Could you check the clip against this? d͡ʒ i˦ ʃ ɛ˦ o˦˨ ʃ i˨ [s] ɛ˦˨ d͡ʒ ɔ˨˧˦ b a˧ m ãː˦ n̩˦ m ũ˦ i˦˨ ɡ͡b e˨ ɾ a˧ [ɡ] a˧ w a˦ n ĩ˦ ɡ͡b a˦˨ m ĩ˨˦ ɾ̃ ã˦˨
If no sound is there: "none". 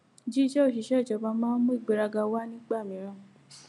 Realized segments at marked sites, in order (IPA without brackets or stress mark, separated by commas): ʃ, ɡ